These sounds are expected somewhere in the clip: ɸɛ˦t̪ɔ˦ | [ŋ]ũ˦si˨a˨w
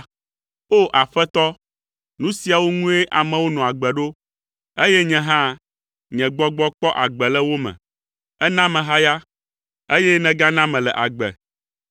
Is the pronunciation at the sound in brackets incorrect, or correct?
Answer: incorrect: n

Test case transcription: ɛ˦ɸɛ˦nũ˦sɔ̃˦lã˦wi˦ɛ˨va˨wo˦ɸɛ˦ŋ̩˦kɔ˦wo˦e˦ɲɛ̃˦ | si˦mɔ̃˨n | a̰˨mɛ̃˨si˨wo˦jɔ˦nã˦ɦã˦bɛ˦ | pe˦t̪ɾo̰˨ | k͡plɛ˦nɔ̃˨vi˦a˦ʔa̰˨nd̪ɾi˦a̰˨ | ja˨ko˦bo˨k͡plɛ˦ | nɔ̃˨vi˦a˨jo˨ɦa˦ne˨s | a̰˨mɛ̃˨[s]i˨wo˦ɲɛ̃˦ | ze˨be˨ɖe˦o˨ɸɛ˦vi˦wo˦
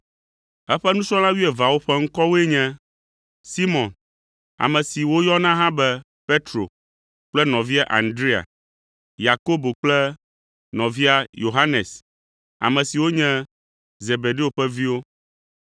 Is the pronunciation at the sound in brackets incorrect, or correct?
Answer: correct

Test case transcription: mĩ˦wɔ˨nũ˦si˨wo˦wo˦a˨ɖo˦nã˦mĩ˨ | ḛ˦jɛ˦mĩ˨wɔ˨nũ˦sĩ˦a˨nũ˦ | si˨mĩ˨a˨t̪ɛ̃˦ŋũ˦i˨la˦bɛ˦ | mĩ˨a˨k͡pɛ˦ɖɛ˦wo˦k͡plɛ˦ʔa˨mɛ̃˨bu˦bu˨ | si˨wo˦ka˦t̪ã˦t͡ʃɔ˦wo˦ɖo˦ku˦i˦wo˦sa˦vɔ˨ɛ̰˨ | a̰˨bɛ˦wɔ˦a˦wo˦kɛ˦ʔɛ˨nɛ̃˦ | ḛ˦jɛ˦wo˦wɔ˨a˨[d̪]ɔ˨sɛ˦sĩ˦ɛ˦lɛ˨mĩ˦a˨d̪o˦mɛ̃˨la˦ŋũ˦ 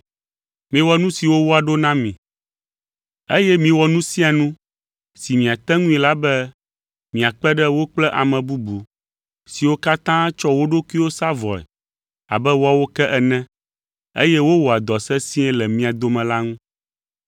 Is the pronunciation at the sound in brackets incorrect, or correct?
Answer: correct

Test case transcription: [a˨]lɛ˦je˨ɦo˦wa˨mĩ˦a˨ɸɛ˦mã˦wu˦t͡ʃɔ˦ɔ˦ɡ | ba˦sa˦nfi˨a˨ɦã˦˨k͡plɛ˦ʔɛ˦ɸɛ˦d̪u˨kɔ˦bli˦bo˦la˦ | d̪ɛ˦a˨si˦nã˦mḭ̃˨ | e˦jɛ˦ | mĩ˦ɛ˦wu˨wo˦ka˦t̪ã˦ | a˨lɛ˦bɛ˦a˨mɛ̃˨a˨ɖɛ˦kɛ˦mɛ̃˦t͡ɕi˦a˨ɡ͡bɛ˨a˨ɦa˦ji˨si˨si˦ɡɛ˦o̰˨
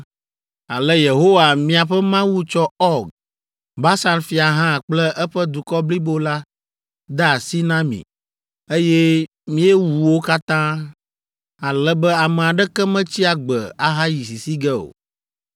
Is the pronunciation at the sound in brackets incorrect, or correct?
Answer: correct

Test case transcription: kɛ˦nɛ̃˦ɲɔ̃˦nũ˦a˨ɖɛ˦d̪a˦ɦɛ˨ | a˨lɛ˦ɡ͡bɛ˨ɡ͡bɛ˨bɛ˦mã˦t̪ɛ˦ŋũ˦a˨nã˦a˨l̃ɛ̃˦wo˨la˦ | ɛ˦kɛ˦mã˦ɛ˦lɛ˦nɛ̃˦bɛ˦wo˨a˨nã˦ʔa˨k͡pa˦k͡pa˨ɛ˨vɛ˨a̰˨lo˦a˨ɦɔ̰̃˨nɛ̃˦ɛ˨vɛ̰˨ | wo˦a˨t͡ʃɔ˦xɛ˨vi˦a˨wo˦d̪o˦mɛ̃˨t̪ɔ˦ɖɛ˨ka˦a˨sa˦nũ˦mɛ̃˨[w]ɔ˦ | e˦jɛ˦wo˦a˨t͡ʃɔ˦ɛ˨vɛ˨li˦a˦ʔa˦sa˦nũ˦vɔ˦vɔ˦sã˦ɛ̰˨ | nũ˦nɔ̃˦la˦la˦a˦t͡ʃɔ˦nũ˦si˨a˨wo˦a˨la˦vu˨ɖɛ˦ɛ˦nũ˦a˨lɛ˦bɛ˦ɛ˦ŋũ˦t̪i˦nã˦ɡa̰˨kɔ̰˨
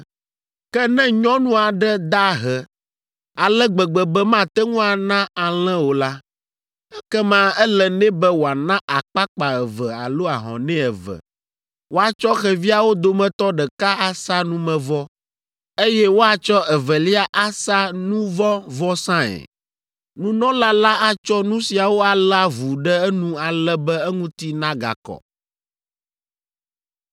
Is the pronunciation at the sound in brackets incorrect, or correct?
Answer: incorrect: v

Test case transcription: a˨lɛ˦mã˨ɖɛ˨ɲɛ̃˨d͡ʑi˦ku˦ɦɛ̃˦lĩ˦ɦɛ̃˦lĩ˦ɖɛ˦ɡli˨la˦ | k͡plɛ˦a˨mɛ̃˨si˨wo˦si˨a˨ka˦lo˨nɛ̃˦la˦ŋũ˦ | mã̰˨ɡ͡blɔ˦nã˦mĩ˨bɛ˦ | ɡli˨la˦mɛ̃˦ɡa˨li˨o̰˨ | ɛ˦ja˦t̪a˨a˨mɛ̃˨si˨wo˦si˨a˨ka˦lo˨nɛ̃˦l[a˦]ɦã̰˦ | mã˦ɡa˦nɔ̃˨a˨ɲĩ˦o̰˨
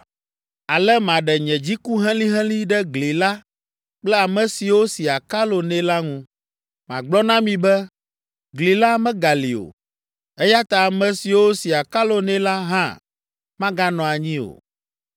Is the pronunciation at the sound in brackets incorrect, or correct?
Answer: correct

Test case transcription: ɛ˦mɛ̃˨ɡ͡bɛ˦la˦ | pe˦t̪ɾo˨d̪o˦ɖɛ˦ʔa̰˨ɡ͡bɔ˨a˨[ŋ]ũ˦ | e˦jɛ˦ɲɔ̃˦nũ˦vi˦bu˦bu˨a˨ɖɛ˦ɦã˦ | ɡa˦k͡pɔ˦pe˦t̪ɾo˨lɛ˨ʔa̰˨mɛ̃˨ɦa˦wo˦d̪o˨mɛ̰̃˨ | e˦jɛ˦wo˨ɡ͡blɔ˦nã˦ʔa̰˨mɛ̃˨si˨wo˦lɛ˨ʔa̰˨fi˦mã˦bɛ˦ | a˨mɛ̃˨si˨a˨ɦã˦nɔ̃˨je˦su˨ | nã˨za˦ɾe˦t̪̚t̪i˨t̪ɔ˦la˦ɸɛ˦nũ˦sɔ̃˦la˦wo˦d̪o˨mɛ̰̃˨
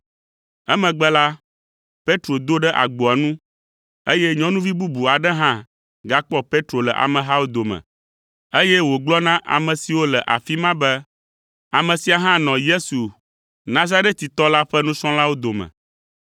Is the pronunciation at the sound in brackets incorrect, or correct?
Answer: incorrect: n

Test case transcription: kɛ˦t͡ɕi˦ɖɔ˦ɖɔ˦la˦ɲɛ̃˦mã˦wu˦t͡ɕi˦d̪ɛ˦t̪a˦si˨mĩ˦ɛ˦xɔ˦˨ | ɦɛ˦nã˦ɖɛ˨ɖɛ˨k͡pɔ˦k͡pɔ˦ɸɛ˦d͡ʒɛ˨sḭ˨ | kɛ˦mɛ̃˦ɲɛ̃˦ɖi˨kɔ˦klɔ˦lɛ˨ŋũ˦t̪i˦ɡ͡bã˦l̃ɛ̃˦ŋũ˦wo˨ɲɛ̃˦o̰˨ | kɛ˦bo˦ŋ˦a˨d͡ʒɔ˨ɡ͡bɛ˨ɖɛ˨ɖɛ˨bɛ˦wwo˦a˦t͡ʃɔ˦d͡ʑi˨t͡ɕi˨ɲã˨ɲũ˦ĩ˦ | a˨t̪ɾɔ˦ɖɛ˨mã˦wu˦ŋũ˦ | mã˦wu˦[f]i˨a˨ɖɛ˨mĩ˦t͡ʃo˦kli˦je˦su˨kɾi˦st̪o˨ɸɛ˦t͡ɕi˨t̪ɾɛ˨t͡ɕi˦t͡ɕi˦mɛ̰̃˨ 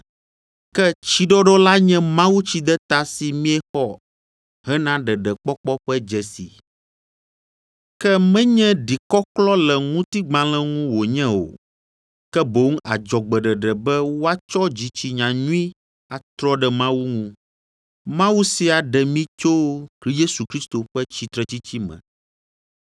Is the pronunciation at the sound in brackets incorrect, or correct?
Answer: incorrect: s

